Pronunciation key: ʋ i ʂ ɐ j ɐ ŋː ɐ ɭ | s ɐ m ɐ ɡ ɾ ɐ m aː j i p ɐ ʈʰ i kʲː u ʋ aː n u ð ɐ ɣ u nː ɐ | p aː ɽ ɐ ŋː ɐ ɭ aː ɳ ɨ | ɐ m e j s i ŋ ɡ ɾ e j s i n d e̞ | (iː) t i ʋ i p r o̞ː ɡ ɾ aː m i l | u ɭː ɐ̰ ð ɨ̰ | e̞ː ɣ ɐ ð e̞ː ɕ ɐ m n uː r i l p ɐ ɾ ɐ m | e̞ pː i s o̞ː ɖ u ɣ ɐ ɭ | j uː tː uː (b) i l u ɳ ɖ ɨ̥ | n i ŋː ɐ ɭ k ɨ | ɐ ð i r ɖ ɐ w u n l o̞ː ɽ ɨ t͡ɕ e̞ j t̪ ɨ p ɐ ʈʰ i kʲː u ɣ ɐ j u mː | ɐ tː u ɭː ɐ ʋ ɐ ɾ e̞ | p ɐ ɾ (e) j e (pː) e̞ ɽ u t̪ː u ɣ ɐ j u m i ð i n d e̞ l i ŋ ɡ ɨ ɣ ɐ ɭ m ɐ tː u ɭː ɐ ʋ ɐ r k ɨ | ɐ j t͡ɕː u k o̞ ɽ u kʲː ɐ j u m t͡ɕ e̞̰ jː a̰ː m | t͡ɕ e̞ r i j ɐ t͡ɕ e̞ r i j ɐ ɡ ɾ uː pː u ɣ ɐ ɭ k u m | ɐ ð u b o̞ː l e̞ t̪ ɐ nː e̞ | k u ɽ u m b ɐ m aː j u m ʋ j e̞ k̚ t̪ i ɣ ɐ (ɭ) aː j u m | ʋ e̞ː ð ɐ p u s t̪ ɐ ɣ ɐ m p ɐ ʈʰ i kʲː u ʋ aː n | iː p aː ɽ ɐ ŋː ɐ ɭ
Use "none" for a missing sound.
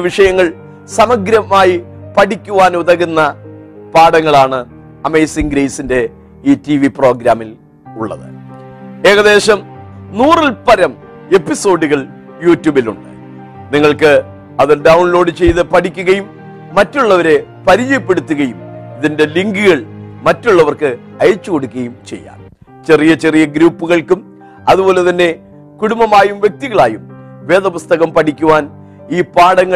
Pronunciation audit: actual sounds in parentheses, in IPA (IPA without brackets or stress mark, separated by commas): iː, b, i, pː, ɭ